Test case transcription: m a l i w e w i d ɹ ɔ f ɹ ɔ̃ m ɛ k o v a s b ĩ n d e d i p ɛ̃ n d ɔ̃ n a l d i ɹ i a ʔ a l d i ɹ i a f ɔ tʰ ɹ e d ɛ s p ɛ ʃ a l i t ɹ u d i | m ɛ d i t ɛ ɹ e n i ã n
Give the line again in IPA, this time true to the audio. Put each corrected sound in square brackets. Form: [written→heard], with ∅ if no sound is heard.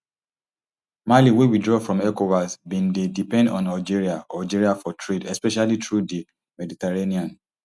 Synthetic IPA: m a l i w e w i d ɹ ɔ f ɹ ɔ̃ m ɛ k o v a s b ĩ n d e d i p ɛ̃ n d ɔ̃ n a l [d→d͡ʒ] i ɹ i a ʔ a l [d→d͡ʒ] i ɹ i a f ɔ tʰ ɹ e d ɛ s p ɛ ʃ a l i t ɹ u d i | m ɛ d i t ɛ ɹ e n i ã n